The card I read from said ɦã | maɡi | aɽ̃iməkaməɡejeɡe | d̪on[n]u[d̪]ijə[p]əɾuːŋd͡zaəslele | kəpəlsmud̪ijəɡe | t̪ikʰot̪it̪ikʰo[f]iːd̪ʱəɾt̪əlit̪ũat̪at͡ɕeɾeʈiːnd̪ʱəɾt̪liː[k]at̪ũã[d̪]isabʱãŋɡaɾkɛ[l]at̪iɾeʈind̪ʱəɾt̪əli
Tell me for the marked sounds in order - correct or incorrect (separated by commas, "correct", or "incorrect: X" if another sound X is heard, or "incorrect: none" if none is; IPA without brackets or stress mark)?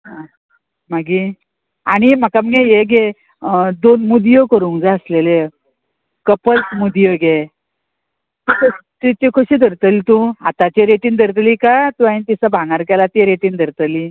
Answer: incorrect: m, correct, incorrect: k, incorrect: ɕ, correct, incorrect: t̪, correct